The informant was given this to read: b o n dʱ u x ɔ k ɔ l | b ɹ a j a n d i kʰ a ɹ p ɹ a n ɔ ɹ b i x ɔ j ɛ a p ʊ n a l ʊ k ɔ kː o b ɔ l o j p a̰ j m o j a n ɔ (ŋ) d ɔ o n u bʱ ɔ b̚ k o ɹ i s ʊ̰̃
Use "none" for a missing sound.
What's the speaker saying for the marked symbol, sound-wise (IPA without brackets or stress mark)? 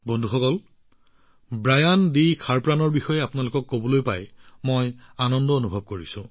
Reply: n